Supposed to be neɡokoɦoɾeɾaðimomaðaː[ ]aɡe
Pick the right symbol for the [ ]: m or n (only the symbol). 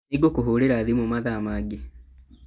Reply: m